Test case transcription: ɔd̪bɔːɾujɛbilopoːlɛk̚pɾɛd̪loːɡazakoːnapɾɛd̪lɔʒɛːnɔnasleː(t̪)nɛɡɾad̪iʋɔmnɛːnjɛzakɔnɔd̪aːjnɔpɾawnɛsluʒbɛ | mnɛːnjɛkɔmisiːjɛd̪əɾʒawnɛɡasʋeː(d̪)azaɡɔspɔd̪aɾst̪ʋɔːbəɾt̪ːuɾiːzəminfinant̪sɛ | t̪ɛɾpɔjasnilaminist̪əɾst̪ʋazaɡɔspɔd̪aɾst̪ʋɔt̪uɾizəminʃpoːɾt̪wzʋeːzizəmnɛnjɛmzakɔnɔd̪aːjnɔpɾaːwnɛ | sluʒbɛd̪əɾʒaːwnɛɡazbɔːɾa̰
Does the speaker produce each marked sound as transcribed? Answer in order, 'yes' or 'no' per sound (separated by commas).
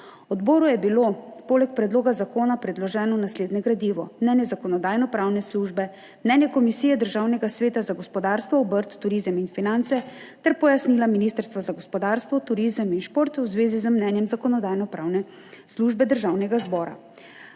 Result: no, no